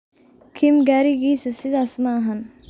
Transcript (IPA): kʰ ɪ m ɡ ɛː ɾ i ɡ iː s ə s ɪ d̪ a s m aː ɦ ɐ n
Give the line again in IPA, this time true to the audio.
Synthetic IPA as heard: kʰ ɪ m ɡ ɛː ɾ i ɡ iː s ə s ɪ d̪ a s m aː ɦ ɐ n